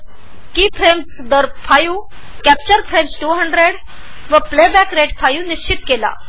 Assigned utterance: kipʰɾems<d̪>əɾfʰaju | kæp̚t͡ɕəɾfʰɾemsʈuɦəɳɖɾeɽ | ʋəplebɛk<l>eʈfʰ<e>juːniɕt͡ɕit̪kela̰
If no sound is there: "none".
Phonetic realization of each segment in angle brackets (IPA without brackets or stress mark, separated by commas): d̪, ɾ, a